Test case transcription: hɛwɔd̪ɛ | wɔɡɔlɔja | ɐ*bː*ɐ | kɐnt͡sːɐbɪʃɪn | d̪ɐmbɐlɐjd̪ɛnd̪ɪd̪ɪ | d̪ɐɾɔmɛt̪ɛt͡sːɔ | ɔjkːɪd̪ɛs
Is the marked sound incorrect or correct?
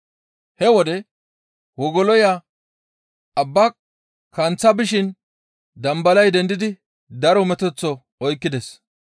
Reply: correct